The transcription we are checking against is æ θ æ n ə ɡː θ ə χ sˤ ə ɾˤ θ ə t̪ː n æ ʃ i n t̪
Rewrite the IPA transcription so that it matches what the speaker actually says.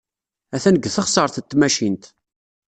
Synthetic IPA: æ θ æ n ə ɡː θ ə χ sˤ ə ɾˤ θ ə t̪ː m æ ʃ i n t̪